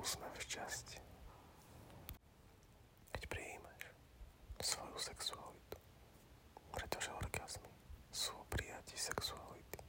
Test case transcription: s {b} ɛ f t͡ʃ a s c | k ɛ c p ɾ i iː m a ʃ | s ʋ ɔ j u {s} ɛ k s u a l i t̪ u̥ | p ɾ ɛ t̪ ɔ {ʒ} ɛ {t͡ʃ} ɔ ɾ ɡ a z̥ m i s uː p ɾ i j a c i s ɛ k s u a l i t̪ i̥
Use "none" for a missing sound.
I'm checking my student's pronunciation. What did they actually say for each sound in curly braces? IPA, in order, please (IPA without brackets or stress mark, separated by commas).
m, s, ʒ, none